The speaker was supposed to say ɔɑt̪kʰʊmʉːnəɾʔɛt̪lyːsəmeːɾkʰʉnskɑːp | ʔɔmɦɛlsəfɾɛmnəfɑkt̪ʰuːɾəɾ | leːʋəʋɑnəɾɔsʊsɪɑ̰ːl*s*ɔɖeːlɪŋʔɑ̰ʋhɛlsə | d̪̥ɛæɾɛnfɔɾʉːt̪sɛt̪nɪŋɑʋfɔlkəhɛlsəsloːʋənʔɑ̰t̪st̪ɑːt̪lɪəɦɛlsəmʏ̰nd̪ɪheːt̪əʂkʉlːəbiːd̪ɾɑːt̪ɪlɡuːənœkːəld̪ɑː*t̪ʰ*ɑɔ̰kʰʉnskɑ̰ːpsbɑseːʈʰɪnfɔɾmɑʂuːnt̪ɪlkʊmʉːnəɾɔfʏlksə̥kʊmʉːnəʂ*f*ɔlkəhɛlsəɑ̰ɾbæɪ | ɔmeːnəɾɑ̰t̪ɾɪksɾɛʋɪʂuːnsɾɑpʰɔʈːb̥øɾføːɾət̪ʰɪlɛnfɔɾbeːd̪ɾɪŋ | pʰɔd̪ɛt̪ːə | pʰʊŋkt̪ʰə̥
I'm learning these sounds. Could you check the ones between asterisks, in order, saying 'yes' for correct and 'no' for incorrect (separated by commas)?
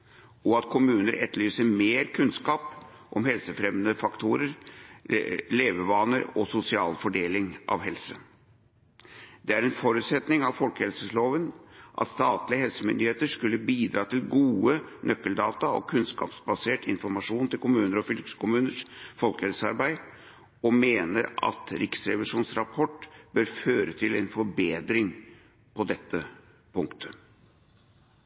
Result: no, no, yes